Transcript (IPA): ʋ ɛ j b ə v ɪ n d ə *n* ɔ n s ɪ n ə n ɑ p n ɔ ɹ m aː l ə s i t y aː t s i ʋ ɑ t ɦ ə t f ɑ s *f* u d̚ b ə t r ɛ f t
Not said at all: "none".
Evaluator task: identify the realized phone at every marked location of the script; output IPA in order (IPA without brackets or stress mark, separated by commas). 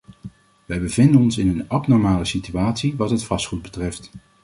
n, χ